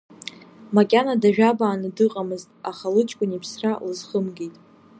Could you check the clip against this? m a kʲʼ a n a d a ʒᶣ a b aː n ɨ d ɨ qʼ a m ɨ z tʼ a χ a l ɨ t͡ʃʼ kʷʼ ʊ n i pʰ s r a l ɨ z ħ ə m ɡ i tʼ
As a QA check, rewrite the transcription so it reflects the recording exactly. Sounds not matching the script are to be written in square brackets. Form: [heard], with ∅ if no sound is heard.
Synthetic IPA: m a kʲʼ a n a d a ʒᶣ a b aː n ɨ d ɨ qʼ a m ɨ z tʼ a χ a l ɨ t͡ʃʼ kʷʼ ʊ n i pʰ s r a l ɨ z [χ] ə m ɡ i tʼ